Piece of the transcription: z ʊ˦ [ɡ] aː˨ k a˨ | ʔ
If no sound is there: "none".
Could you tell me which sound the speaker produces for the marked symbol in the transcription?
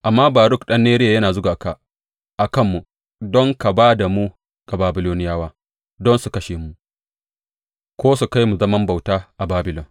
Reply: ɡ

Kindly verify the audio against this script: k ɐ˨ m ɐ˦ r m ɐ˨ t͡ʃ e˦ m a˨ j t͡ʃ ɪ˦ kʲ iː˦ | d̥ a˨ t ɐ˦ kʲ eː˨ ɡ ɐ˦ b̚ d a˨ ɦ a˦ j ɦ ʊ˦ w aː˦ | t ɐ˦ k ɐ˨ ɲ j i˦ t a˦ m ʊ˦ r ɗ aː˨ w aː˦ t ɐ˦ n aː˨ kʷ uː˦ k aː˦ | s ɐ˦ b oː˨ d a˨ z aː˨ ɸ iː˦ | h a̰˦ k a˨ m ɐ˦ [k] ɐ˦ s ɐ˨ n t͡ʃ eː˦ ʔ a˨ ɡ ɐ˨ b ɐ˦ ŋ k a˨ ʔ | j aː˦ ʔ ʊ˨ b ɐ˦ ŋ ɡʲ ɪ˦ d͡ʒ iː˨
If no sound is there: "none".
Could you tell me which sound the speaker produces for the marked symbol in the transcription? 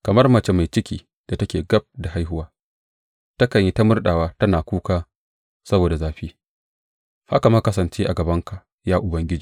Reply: k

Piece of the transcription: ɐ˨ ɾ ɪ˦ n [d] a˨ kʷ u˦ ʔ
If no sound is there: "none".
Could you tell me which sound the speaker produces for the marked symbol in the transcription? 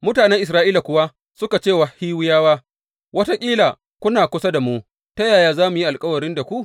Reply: d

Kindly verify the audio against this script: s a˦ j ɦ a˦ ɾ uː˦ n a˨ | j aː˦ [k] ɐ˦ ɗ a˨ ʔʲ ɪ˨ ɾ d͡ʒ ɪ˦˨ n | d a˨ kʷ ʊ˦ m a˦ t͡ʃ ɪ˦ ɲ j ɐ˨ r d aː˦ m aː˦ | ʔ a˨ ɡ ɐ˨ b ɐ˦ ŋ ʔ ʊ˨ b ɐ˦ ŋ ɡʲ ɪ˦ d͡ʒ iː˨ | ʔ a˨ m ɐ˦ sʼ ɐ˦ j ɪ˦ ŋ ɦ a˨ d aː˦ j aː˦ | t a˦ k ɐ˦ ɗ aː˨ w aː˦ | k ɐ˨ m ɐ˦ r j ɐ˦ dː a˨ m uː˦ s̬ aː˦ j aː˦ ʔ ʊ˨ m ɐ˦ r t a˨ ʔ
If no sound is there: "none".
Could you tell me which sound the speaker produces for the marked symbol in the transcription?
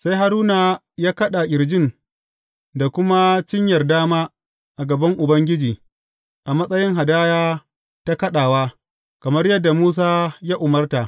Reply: k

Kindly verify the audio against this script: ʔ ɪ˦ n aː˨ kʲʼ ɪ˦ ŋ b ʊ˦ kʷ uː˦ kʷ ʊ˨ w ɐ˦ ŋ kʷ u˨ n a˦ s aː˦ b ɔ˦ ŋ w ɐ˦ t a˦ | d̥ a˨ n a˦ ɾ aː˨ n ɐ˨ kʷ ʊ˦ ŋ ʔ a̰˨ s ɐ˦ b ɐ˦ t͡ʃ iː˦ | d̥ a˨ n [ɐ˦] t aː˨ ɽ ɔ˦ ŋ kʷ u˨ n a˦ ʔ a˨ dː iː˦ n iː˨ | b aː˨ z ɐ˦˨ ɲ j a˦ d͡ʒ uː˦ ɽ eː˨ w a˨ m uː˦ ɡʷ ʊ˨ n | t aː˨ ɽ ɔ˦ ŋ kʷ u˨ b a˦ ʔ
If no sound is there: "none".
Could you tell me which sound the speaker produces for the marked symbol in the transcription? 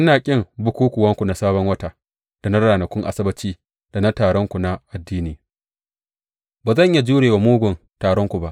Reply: a˦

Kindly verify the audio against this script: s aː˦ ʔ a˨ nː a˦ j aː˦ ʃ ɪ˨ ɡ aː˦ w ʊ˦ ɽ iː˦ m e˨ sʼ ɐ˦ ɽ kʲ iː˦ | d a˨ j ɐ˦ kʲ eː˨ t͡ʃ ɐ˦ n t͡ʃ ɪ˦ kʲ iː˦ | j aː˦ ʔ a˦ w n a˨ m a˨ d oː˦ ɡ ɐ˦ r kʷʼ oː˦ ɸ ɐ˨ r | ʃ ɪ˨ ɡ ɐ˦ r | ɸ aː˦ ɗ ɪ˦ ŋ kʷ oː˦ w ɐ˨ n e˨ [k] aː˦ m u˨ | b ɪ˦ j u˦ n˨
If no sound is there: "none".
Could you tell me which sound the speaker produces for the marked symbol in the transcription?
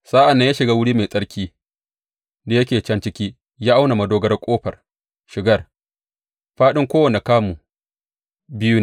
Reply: k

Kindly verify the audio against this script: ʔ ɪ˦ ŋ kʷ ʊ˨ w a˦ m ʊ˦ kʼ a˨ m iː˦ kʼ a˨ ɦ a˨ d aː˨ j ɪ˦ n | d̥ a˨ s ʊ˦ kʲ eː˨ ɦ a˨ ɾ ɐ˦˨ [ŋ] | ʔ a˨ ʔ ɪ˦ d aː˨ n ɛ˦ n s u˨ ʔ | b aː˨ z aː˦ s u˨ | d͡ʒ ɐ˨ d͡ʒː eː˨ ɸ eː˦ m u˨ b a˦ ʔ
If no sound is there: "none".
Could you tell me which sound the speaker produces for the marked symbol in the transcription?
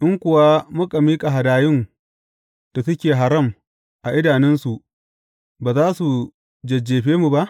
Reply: m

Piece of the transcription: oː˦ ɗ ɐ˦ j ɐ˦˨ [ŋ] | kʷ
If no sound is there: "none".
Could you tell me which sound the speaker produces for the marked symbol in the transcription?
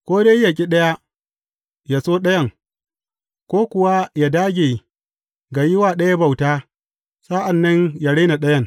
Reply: ŋ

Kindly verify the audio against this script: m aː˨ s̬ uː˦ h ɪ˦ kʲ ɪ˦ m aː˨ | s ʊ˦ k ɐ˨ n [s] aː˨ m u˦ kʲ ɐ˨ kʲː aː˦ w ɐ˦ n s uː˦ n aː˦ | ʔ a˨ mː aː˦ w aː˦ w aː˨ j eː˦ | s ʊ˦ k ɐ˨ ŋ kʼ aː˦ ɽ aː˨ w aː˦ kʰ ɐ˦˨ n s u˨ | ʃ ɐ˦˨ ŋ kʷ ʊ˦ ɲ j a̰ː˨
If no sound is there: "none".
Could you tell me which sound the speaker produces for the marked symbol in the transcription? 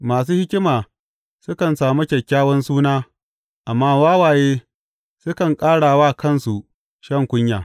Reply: s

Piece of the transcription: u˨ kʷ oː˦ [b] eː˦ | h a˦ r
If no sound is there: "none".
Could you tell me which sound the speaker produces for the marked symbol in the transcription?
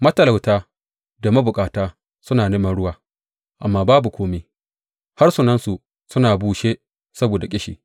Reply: m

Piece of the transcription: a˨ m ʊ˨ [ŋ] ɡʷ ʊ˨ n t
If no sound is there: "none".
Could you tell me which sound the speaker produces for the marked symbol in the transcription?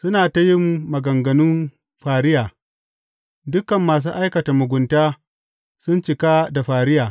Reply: none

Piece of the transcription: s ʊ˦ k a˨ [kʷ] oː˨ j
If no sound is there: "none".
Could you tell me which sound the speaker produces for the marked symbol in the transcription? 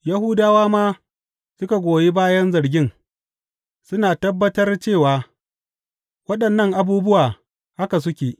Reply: ɡʷ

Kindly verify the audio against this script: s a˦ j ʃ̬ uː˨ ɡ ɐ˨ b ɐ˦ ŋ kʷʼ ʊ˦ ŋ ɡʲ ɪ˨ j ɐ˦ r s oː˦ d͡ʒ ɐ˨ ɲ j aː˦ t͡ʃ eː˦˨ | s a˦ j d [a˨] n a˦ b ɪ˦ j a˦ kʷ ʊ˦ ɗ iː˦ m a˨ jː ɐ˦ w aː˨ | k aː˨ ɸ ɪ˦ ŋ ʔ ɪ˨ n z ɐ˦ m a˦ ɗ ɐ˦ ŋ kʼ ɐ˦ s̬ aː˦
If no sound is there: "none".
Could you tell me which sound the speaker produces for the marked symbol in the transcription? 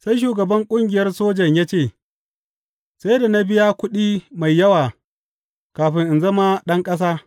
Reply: a˨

